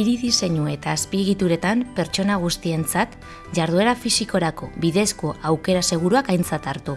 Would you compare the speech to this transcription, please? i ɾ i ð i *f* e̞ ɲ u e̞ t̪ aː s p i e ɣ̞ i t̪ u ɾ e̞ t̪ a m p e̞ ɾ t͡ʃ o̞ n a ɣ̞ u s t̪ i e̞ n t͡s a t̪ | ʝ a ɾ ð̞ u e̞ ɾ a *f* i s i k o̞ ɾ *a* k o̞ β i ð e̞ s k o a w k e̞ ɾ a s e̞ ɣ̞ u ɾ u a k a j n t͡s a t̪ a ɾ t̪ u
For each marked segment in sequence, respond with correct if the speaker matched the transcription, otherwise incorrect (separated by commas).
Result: incorrect, correct, correct